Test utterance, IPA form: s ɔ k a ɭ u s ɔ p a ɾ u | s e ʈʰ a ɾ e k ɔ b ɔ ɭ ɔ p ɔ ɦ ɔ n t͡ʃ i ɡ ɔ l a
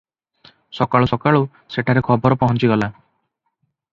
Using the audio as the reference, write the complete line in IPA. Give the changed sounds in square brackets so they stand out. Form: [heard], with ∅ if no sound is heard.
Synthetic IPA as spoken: s ɔ k a ɭ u s ɔ [k] a [ɭ] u | s e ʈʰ a ɾ e [kʰ] ɔ b ɔ [ɾ] ɔ p ɔ ɦ ɔ n t͡ʃ i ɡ ɔ l a